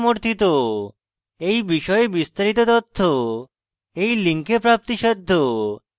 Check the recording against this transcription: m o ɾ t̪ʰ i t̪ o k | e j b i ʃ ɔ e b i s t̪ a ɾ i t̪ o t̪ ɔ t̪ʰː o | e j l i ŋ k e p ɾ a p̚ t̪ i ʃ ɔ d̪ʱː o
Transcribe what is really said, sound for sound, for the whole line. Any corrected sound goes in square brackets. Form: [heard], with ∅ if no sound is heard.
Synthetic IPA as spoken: m o ɾ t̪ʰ i t̪ o [∅] | e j b i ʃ ɔ e b i s t̪ a ɾ i t̪ o t̪ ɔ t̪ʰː o | e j l i ŋ k e p ɾ a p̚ t̪ i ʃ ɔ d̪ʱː o